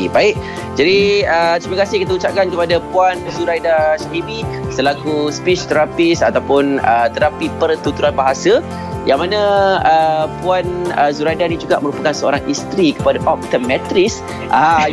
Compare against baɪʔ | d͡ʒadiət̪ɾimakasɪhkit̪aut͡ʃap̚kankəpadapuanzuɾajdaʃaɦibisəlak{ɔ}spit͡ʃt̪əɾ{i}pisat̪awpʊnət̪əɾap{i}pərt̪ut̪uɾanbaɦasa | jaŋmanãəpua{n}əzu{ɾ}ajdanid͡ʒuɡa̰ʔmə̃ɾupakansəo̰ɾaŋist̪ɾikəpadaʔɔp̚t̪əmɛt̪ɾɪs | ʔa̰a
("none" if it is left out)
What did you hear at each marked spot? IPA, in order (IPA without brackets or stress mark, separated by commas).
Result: u, a, i, n, ɾ